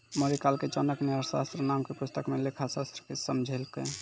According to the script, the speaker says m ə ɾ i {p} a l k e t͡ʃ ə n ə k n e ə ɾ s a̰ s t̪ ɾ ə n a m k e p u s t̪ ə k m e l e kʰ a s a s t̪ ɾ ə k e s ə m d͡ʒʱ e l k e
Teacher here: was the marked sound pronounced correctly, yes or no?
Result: no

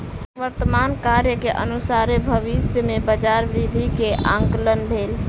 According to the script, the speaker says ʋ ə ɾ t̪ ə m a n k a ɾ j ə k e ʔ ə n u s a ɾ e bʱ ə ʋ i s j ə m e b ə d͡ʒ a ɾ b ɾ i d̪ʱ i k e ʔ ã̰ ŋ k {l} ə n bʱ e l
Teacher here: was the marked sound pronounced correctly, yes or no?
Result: yes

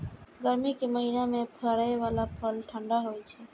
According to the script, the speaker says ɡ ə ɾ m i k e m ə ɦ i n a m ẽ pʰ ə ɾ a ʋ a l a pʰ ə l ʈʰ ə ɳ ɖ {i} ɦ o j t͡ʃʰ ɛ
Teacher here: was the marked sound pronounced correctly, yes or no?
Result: no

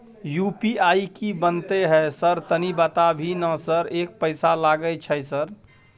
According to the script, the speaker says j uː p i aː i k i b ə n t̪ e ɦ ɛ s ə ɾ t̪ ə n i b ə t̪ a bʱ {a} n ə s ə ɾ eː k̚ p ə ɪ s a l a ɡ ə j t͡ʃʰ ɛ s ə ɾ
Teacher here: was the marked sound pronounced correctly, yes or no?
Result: no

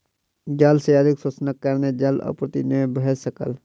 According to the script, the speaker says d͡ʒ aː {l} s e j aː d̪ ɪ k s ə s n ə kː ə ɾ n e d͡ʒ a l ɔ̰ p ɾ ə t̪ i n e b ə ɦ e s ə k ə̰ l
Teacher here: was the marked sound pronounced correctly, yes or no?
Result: yes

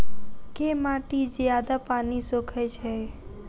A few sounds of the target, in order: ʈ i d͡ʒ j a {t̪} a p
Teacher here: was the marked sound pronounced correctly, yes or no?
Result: no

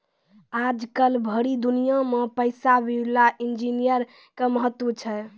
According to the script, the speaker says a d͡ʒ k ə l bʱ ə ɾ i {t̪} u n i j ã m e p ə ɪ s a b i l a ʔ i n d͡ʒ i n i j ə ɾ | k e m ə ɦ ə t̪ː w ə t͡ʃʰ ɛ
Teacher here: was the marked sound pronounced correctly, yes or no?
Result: no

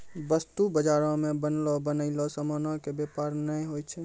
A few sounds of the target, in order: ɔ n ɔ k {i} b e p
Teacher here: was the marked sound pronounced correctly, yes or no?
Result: no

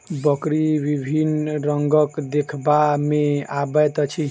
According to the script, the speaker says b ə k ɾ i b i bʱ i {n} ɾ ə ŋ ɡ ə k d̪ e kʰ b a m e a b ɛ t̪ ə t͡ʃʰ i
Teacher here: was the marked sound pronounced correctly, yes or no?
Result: yes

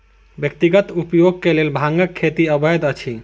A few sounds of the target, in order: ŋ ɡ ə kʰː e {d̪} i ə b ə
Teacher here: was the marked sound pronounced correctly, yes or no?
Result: no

